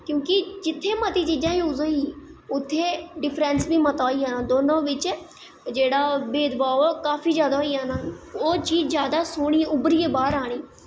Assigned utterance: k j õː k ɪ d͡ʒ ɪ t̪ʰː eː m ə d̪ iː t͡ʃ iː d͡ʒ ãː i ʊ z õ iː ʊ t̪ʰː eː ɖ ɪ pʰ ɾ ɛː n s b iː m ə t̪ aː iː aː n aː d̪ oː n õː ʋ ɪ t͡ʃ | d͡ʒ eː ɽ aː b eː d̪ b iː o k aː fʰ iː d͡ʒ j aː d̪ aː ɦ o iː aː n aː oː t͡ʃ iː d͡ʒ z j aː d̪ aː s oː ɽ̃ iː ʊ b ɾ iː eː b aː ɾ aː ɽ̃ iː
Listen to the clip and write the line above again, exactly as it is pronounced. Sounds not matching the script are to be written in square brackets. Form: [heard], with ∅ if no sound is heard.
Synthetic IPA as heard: k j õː k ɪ d͡ʒ ɪ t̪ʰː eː m ə [t̪] iː t͡ʃ iː d͡ʒ ãː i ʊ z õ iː ʊ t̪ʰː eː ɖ ɪ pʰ ɾ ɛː n s b iː m ə t̪ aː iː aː n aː d̪ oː n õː ʋ ɪ t͡ʃ | d͡ʒ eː ɽ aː b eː d̪ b [aː] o k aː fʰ iː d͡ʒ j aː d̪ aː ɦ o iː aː n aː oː t͡ʃ iː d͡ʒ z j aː d̪ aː s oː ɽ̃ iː ʊ b ɾ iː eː b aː ɾ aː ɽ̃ iː